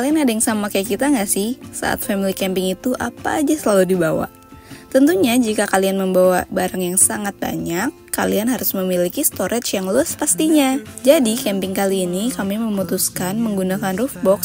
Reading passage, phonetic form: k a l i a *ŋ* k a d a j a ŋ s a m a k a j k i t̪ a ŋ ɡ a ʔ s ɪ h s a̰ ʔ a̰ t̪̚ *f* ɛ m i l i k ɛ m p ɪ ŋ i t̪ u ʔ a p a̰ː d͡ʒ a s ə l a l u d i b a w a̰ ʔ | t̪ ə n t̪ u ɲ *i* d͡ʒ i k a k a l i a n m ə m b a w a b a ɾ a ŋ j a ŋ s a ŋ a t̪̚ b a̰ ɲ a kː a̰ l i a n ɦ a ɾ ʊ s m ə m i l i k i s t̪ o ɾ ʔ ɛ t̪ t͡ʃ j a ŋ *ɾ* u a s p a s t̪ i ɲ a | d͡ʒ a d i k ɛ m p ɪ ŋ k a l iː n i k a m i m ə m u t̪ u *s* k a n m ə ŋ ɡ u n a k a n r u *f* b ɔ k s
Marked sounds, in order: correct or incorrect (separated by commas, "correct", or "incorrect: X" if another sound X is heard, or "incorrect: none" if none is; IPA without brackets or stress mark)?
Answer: incorrect: n, correct, incorrect: a, incorrect: l, correct, correct